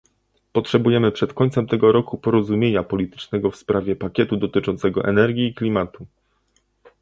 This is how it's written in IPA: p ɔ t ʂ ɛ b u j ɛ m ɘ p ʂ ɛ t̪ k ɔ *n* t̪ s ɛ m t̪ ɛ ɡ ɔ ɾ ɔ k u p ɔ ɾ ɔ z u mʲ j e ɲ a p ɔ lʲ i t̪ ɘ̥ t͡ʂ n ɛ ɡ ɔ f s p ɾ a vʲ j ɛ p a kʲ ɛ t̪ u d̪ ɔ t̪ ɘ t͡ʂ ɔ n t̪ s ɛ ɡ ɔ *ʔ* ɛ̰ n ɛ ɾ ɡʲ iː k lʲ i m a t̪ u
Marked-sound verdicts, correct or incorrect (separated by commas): incorrect, correct